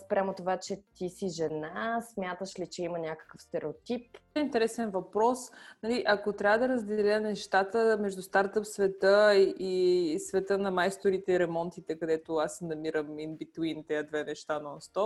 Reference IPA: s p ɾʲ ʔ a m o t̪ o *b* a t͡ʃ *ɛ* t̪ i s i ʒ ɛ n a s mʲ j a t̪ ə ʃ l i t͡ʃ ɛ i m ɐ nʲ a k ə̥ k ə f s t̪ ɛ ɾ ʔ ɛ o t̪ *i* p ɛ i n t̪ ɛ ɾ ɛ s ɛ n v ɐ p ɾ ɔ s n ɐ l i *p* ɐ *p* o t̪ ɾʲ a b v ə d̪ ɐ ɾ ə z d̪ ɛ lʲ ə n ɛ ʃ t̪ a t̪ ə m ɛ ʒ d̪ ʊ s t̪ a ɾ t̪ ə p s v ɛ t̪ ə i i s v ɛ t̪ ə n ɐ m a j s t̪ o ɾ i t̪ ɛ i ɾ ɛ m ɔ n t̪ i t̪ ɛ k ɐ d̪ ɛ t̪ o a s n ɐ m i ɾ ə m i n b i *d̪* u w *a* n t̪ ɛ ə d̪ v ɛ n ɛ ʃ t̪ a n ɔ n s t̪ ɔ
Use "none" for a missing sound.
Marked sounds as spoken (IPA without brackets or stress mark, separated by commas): v, ɛ, i, ʔ, k, t̪, i